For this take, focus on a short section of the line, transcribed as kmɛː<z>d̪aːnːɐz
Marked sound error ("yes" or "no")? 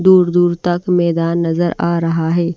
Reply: yes